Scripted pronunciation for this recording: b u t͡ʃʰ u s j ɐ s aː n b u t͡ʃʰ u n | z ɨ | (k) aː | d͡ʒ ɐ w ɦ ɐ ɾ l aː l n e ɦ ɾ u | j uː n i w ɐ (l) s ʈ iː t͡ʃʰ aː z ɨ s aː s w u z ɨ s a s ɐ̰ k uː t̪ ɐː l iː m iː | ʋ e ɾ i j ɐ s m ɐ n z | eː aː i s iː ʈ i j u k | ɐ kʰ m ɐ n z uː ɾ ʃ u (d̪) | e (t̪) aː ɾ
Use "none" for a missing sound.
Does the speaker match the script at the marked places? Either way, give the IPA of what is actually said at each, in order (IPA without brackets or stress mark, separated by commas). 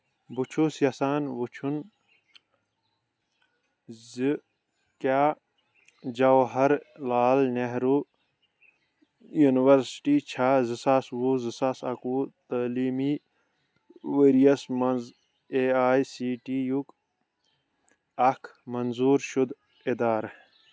k, ɾ, d̪, d̪